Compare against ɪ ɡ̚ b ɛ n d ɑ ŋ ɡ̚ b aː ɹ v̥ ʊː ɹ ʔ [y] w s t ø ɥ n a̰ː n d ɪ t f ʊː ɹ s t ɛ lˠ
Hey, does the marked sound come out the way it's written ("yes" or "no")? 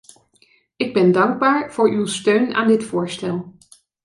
yes